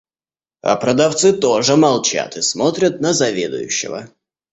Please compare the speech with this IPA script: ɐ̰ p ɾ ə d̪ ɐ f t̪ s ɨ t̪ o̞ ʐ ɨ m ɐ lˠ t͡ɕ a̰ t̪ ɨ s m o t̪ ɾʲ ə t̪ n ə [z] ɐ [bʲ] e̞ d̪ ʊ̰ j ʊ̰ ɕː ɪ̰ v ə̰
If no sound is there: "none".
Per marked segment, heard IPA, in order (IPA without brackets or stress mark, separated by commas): z, vʲ